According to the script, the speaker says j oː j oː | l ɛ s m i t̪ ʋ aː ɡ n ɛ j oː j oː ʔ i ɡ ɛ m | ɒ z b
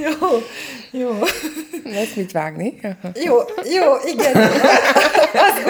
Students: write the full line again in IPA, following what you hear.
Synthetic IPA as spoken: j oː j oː | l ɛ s m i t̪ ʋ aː ɡ n i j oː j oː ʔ i ɡ ɛ n | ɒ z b